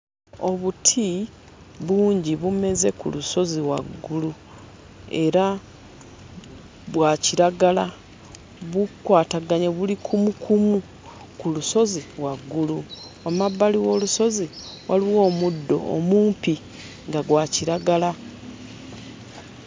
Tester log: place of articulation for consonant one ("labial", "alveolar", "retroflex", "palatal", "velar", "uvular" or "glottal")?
labial